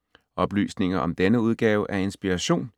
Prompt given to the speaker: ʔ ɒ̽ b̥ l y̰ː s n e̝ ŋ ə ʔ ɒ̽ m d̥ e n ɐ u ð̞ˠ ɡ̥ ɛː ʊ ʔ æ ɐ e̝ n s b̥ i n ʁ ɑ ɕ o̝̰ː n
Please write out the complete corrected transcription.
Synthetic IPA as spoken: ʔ ɒ̽ b̥ l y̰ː s n e̝ ŋ ɐ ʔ ɒ̽ m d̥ e n ə u ð̞ˠ ɡ̥ ɛː ʊ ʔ æ ɐ e̝ n s b̥ i ʁ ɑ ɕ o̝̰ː n